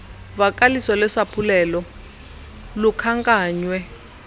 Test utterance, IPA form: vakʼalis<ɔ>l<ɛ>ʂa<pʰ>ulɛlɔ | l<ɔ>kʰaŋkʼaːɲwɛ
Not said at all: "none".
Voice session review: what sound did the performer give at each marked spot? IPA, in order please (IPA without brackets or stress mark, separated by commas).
ɔ, ɛ, pʰ, u